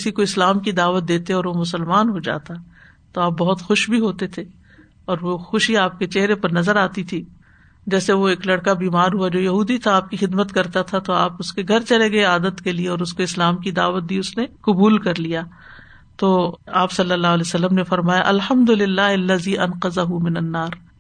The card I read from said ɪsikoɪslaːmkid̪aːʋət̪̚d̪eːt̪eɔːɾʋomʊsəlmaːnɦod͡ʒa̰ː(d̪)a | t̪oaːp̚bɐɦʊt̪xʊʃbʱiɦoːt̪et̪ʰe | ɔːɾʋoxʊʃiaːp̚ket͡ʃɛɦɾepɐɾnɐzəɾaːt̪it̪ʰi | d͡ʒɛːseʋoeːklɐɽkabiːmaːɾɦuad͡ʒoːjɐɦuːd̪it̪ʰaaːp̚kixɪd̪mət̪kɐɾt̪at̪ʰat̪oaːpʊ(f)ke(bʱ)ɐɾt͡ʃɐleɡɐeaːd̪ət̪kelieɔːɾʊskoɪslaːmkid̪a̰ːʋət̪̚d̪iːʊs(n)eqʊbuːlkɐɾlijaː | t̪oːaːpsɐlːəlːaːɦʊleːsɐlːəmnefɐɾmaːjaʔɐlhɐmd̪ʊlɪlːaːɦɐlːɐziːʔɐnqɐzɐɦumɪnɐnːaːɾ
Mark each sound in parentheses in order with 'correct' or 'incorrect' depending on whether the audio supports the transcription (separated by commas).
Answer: incorrect, incorrect, incorrect, correct